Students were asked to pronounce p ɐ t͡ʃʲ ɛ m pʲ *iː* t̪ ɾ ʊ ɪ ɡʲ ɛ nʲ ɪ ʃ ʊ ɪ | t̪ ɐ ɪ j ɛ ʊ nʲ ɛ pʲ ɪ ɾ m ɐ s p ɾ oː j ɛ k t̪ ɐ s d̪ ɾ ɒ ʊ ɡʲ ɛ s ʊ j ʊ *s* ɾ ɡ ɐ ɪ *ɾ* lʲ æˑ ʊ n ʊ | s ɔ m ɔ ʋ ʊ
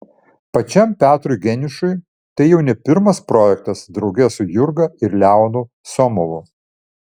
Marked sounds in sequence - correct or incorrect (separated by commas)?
incorrect, incorrect, correct